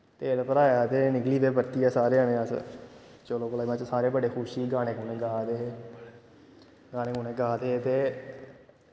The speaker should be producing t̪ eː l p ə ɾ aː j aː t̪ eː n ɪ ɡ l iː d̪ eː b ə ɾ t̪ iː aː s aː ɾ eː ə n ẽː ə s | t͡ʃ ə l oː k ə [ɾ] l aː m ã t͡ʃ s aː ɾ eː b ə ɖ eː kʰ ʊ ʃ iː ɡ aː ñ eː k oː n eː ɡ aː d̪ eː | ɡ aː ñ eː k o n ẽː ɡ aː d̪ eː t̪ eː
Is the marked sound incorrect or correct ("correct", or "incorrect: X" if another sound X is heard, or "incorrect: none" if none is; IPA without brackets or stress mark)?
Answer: incorrect: none